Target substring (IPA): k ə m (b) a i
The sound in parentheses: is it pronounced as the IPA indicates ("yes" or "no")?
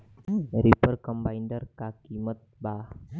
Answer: yes